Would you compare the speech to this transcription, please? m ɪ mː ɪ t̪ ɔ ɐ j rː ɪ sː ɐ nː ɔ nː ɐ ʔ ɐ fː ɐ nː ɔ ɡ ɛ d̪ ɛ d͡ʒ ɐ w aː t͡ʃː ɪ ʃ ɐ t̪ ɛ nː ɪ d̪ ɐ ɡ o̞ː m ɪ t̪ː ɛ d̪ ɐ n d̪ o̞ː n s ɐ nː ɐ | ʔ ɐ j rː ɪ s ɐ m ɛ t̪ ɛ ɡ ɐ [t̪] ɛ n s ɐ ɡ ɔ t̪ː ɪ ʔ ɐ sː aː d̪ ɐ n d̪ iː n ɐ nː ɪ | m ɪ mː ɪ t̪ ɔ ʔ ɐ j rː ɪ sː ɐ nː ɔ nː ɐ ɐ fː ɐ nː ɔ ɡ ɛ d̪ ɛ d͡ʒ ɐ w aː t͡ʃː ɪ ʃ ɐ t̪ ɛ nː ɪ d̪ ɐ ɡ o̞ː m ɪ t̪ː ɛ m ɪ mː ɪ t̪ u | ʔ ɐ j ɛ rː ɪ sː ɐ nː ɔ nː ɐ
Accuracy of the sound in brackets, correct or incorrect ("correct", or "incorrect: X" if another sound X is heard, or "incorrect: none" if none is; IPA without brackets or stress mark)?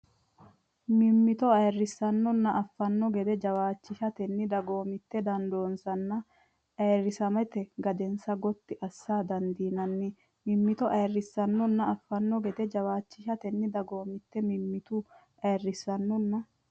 incorrect: d̪